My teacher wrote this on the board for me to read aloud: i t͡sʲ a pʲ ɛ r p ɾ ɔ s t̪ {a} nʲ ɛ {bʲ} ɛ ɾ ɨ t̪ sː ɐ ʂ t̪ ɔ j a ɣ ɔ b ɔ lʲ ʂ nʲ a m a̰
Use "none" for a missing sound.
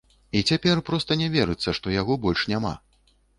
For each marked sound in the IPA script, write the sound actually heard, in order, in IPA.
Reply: ɐ, vʲ

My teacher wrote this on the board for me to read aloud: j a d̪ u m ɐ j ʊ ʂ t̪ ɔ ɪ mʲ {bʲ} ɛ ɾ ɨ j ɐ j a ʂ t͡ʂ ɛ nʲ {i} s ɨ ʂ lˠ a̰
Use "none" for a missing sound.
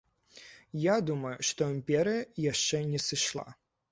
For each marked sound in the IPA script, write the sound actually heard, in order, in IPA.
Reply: pʲ, ɛ

